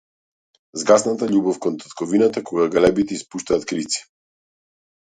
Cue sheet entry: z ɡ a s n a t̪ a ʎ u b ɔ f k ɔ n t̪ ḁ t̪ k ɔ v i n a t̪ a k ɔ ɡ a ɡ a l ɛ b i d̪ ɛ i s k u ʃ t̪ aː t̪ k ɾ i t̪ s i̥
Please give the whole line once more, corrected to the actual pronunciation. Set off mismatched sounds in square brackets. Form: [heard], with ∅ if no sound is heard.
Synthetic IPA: z ɡ a s n a t̪ a ʎ u b ɔ f k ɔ n t̪ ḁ t̪ k ɔ v i n a t̪ a k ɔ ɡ a ɡ a l ɛ b i [t̪] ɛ i s [p] u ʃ t̪ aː t̪ k ɾ i t̪ s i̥